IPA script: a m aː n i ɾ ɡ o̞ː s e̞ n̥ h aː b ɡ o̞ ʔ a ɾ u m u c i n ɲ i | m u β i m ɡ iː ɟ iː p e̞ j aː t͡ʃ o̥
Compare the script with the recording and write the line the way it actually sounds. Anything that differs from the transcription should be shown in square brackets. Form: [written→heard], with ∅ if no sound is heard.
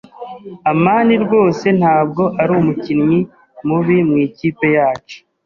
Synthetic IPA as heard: a m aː n i ɾ ɡ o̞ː s e̞ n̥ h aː b ɡ o̞ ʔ a ɾ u m u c i n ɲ i | m u β i m [ɡ→ŋ] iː [ɟ→c] iː p e̞ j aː t͡ʃ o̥